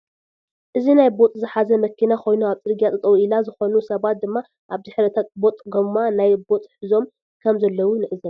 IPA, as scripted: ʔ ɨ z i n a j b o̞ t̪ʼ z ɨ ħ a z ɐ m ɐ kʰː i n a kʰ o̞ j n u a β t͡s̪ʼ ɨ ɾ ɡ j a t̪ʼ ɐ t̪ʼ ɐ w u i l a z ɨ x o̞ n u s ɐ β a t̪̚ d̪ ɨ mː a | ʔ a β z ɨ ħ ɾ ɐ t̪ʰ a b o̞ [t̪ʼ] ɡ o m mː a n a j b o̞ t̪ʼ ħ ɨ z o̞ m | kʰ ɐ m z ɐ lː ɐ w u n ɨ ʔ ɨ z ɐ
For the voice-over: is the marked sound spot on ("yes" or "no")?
yes